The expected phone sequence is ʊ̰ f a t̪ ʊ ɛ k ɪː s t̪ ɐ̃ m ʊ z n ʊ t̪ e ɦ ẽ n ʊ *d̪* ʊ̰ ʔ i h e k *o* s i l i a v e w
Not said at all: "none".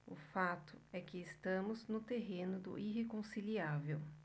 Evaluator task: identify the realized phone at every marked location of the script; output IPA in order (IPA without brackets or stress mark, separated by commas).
d̪, õ